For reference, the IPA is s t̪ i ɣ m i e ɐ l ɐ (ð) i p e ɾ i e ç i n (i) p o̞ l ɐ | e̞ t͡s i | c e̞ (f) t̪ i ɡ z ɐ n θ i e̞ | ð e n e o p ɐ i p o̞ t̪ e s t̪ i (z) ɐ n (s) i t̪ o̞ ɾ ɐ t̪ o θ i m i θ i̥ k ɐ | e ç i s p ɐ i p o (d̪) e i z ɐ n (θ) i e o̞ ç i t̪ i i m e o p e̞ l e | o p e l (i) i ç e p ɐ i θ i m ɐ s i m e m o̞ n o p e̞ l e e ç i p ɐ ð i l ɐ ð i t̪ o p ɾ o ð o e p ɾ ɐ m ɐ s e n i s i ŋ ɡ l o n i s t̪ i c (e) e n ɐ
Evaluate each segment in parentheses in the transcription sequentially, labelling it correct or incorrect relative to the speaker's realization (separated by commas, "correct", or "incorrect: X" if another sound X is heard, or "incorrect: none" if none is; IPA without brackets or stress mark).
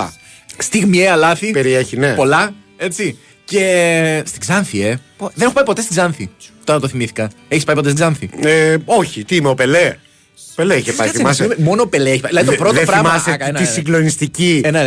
incorrect: θ, incorrect: e, incorrect: s, correct, incorrect: θ, incorrect: t̪, correct, incorrect: e, incorrect: i